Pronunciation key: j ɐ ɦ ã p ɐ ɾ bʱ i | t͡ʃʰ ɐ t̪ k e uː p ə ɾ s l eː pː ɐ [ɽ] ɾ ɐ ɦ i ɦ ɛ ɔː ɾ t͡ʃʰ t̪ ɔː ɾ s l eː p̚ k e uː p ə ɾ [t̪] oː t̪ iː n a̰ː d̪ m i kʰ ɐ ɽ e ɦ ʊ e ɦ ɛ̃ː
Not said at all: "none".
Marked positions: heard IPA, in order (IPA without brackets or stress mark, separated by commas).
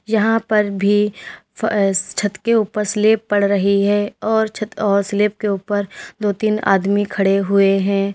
ɽ, d̪